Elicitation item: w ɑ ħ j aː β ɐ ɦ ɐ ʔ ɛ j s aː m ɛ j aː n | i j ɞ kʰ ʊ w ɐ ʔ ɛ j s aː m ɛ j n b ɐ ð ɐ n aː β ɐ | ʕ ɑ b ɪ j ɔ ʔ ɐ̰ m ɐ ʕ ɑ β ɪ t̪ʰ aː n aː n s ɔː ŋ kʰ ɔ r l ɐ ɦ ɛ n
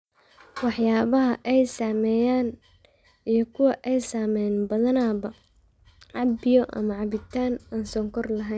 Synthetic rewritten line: w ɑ ħ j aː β ɐ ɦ ɐ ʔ ɛ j s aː m ɛ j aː n | i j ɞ kʰ ʊ w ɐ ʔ ɛ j s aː m ɛ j n b ɐ ð ɐ n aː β ɐ | ʕ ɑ b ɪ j ɔ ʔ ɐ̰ m ɐ ʕ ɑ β ɪ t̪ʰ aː n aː n s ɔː ŋ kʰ ɔ r l ɐ ɦ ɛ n